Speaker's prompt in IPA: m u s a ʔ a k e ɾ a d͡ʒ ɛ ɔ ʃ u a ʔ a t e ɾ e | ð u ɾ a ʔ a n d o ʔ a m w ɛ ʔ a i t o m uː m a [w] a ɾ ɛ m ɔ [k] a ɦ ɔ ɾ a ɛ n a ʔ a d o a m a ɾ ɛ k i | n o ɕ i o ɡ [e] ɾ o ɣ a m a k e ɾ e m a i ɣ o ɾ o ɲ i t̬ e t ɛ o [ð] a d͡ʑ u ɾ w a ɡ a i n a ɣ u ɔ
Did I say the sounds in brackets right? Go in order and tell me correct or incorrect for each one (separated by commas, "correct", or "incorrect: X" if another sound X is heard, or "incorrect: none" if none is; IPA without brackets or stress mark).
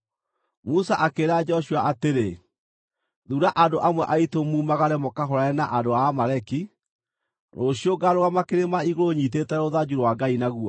incorrect: ɣ, correct, incorrect: a, correct